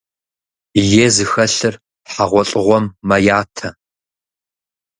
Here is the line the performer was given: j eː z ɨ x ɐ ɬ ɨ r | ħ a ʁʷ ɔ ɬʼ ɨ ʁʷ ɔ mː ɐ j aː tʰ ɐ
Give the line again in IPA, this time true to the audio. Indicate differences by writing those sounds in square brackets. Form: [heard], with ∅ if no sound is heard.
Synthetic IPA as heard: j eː z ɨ x ɐ ɬ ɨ r | ħ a ʁʷ ɔ ɬʼ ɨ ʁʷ ɔ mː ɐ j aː tʰ ɐ